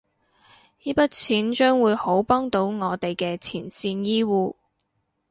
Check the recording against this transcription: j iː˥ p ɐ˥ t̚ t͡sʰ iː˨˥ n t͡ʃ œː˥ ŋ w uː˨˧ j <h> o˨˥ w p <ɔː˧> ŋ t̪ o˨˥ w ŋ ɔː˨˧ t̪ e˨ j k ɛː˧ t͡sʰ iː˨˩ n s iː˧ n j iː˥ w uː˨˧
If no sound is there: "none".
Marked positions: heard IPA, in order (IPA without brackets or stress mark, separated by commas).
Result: h, ɔː˥